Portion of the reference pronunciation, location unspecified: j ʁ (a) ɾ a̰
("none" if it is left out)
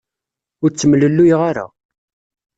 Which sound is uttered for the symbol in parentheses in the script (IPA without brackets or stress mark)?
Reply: a